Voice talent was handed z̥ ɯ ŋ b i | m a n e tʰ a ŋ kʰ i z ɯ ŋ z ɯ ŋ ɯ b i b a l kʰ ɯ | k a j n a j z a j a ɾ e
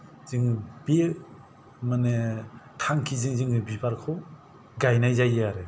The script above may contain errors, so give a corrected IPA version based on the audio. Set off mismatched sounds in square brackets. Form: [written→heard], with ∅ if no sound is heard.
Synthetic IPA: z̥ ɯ ŋ b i | m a n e tʰ a ŋ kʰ i z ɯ ŋ z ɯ ŋ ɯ b i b a [l→ɾ] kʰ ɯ | [k→ɡ] a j n a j z a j a ɾ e